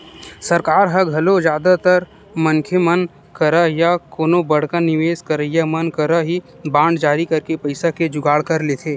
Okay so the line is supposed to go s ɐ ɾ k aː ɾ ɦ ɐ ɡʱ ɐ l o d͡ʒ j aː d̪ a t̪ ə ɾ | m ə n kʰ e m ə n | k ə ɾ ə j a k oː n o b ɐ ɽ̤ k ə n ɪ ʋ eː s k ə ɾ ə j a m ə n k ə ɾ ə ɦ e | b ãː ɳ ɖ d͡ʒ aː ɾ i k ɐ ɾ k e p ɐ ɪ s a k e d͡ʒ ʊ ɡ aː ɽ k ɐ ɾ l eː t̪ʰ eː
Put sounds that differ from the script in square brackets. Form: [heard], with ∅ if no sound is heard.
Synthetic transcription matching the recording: s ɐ ɾ k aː ɾ ɦ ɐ ɡʱ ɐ l o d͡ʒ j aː d̪ a t̪ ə ɾ | m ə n kʰ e m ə n | k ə ɾ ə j a k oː n o b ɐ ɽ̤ k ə n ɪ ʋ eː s k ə ɾ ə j a m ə n k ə ɾ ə ɦ [i] | b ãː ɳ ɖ d͡ʒ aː ɾ i k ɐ ɾ k e p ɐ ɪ s a k e d͡ʒ ʊ ɡ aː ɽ k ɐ ɾ l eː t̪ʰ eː